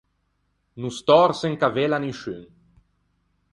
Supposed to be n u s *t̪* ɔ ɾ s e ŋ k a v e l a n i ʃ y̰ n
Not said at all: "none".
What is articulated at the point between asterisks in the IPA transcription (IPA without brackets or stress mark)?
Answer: t̪